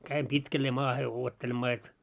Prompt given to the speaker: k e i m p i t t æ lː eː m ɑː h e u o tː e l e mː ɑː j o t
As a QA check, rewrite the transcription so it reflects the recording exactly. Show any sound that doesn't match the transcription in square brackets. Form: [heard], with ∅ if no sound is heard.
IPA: k [æ] i m p i t [k] æ lː eː m ɑː h e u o tː e l e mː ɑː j o t